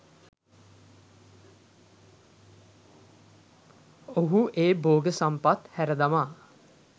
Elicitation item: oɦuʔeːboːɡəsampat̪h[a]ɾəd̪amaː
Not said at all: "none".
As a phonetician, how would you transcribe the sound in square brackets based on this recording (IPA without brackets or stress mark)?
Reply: æ